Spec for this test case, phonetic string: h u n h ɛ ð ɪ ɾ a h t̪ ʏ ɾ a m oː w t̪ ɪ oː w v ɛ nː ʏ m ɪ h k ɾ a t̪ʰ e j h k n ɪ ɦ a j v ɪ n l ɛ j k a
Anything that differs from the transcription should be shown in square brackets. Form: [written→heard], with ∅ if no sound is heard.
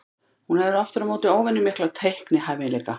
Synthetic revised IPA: h u n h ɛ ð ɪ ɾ a [h→f] t̪ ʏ ɾ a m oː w t̪ ɪ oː w v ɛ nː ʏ m ɪ h k [ɾ→l] a t̪ʰ e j h k n ɪ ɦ a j v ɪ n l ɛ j k a